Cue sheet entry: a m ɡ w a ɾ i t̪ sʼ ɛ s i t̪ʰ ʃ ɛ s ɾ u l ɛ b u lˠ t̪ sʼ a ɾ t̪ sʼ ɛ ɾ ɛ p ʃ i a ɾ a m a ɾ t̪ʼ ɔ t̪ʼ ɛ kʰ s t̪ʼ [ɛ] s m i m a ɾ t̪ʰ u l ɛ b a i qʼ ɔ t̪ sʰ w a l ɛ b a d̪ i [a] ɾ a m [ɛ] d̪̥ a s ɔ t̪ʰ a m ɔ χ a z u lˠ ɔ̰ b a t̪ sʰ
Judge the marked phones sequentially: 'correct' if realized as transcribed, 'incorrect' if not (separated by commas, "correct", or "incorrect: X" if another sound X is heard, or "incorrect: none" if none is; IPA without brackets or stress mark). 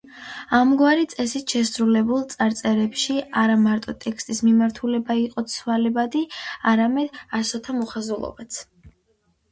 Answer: incorrect: i, correct, correct